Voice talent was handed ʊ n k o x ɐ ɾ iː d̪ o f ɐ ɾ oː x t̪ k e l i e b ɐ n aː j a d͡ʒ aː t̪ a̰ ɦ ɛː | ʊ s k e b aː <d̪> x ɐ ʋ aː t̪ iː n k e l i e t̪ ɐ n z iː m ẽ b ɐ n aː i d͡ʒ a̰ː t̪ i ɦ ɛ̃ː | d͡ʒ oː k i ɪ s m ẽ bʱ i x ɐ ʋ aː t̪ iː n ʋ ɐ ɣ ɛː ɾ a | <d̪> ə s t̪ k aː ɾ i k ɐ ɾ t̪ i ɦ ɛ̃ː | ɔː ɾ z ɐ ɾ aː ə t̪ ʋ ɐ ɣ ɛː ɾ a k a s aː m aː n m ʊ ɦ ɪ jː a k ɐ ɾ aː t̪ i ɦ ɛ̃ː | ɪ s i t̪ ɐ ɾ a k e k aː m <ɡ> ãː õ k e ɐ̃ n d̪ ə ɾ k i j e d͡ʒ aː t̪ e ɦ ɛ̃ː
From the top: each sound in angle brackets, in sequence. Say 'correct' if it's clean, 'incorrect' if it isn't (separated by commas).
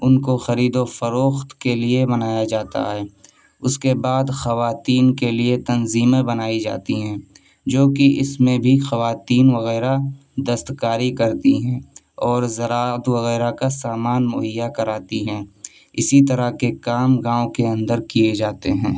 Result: correct, correct, correct